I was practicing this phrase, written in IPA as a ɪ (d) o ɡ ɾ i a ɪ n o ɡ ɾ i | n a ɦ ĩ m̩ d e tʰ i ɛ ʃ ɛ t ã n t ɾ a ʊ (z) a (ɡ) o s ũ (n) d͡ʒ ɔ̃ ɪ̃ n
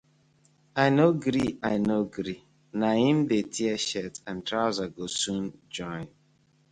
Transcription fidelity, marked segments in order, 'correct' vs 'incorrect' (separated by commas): incorrect, correct, correct, correct